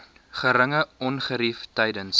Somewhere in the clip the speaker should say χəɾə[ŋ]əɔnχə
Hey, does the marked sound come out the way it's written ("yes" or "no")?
yes